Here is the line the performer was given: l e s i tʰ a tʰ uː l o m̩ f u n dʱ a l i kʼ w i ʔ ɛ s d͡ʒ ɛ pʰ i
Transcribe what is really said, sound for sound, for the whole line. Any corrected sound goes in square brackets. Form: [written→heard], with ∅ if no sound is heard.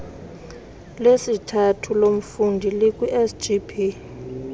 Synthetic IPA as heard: l e s i tʰ a tʰ [uː→u] l o m̩ f u n dʱ [a→i] l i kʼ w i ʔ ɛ s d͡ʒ [ɛ→i] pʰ i